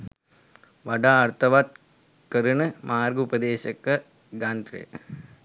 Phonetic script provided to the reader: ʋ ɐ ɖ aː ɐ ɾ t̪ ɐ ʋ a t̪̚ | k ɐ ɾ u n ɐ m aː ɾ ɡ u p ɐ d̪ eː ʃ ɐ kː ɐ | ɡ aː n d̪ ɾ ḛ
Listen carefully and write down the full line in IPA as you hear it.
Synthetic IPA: ʋ ɐ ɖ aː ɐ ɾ t̪ ɐ ʋ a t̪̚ | k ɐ ɾ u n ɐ m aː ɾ ɡ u p ɐ d̪ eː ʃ ɐ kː ɐ | ɡ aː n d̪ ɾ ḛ